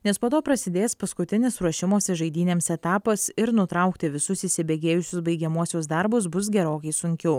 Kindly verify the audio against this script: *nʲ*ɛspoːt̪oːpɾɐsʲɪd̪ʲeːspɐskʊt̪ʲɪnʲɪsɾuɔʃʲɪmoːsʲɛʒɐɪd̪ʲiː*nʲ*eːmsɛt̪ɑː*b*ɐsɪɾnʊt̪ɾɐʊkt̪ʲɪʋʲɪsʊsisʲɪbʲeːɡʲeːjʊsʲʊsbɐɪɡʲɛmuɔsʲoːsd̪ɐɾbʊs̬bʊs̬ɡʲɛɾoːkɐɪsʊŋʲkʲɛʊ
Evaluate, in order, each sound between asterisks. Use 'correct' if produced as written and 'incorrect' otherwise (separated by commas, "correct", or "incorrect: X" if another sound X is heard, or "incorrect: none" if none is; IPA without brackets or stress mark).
correct, correct, incorrect: p